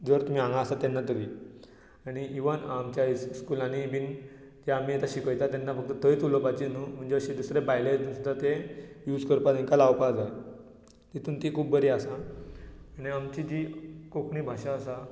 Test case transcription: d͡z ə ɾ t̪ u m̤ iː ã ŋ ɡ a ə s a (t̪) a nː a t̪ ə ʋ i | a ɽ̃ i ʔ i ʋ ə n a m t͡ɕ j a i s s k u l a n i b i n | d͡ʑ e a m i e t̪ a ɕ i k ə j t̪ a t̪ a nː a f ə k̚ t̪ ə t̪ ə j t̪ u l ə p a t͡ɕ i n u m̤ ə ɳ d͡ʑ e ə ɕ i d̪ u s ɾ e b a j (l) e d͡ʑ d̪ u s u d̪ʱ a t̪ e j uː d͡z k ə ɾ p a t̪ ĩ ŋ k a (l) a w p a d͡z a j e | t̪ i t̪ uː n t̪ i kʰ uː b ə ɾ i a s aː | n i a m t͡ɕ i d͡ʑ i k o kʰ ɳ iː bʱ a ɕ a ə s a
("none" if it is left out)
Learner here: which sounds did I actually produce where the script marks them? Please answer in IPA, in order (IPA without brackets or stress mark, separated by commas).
t̪, l, l